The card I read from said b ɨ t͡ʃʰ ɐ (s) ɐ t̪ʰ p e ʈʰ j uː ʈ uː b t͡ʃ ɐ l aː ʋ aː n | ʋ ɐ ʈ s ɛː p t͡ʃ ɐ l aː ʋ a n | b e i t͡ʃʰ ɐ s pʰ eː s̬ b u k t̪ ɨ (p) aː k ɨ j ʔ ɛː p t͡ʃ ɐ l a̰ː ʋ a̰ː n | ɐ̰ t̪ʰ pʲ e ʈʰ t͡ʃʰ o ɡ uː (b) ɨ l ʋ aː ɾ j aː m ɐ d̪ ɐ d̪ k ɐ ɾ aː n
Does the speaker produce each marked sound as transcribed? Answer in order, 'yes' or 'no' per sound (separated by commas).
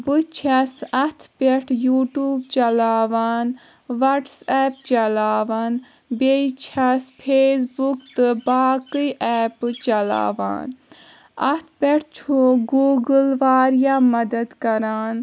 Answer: yes, no, no